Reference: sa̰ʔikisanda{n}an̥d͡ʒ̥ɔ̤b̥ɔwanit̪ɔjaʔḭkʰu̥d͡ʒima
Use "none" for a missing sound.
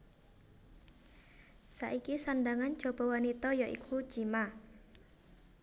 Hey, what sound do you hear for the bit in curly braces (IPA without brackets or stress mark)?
ŋ